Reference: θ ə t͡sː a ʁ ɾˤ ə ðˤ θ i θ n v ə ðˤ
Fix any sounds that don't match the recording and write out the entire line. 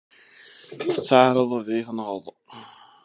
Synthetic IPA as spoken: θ ə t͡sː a ʕ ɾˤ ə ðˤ ð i θ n ʁ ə ðˤ